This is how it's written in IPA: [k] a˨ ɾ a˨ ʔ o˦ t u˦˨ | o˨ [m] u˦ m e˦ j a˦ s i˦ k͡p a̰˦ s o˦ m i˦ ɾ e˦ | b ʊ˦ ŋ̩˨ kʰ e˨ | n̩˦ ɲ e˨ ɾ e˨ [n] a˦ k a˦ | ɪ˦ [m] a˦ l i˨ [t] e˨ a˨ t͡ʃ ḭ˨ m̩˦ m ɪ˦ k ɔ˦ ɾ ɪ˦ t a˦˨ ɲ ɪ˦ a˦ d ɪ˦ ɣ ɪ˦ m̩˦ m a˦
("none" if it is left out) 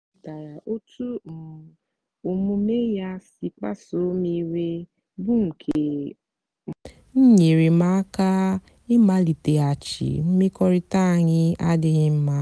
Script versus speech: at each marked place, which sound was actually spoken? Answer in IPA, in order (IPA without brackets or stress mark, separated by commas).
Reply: t, m, m, m, t